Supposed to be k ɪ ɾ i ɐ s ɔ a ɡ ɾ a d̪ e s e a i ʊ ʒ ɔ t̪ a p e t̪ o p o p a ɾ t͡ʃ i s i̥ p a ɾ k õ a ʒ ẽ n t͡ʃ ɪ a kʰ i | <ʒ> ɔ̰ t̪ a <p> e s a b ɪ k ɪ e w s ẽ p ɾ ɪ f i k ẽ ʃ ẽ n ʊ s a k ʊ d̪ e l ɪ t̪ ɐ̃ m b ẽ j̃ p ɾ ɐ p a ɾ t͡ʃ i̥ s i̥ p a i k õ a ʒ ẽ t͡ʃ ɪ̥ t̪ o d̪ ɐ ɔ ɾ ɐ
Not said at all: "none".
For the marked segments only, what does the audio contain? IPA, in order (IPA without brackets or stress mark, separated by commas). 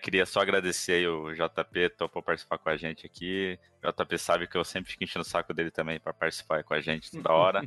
ʒ, p